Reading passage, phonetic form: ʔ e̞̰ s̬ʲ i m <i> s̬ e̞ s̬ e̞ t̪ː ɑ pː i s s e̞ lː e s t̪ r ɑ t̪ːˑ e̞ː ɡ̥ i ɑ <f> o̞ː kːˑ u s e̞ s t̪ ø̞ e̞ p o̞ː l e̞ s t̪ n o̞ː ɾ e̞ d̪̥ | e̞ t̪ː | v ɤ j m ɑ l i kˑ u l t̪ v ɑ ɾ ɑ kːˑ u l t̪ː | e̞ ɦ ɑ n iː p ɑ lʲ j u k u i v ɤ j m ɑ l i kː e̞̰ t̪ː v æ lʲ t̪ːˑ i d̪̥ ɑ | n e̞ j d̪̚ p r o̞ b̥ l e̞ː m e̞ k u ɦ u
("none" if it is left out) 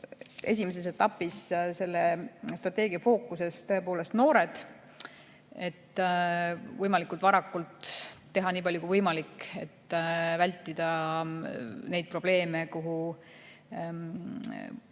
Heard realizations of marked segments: e, f

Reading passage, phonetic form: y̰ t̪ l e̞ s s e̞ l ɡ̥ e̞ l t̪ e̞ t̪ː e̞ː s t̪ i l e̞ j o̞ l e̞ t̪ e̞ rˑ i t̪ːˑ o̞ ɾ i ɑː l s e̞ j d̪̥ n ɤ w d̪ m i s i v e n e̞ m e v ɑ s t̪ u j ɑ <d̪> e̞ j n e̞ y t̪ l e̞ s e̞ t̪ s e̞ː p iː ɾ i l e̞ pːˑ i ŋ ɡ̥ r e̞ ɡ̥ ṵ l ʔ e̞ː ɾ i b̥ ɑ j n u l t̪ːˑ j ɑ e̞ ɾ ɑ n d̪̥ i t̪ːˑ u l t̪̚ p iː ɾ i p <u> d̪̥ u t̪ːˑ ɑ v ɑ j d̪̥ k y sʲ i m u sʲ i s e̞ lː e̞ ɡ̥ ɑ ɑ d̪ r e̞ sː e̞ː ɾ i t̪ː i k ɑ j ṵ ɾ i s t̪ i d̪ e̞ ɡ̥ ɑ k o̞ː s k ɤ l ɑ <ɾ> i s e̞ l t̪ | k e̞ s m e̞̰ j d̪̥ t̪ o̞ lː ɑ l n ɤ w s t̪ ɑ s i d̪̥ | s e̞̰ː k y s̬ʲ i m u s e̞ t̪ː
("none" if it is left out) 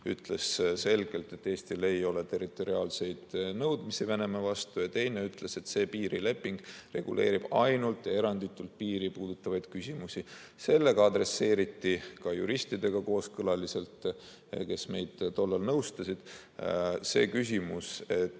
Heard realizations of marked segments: t̪, uː, l

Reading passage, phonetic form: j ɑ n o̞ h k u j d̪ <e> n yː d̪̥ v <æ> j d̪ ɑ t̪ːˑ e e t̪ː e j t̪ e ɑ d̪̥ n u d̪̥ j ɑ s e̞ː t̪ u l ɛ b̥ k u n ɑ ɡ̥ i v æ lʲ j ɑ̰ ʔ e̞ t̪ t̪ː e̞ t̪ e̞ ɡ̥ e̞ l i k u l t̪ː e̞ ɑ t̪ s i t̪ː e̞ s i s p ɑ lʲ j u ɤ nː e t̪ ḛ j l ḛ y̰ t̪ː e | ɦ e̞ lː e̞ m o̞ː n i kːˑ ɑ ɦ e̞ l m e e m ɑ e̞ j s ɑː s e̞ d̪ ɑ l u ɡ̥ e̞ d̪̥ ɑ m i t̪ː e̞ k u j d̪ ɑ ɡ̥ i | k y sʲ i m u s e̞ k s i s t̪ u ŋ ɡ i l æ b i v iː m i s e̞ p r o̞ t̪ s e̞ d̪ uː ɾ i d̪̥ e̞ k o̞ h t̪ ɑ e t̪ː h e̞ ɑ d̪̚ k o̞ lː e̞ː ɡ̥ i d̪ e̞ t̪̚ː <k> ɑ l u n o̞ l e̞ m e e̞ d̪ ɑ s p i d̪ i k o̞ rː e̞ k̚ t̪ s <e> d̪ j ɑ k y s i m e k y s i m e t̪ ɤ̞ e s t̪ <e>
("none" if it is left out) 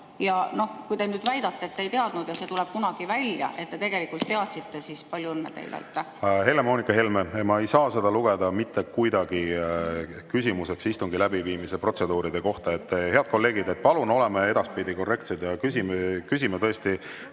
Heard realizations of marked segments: e, æ, p, e, i

